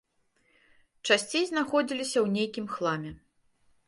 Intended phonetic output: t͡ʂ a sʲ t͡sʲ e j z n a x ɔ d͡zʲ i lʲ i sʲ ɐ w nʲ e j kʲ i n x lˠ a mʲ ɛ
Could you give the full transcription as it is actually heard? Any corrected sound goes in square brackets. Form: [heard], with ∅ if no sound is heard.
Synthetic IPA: t͡ʂ a sʲ t͡sʲ e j z n a x ɔ d͡zʲ i lʲ i sʲ ɐ w nʲ e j kʲ i [m] x lˠ a mʲ ɛ